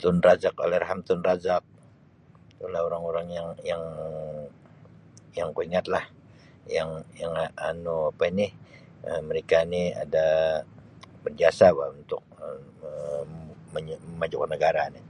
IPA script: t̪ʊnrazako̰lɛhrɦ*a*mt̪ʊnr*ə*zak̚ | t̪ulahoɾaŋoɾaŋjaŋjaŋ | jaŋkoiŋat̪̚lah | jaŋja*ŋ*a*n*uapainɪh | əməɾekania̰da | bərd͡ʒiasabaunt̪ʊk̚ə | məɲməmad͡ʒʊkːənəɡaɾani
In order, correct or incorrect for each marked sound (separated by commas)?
correct, incorrect, correct, correct